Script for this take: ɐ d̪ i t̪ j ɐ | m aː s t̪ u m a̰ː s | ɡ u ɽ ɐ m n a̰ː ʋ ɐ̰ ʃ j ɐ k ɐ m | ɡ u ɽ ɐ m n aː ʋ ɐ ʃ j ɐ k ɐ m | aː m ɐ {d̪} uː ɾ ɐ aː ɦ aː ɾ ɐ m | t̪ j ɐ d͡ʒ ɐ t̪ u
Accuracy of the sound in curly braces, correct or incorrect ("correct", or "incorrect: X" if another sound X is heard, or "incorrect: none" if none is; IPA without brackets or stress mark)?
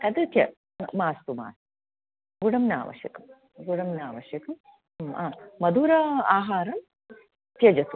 correct